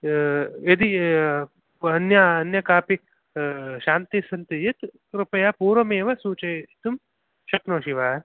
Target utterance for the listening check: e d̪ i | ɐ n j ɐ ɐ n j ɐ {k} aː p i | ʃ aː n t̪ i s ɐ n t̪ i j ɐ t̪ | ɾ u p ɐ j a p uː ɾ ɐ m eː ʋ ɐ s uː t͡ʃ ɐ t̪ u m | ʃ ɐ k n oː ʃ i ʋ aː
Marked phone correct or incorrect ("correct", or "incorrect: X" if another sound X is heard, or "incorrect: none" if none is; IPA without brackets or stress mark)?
correct